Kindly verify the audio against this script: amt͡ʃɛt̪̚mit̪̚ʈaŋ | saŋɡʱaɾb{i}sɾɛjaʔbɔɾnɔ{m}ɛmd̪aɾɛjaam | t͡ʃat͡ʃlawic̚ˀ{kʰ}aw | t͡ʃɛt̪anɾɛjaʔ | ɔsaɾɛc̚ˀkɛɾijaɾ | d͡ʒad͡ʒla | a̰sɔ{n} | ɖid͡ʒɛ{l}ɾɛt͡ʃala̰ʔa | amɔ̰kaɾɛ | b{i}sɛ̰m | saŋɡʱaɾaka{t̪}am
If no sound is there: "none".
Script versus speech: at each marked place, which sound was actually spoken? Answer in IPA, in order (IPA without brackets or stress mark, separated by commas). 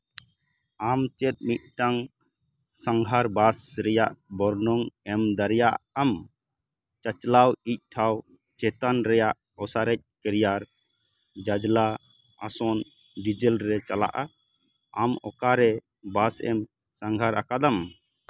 a, ŋ, ʈʰ, n, l, a, d̪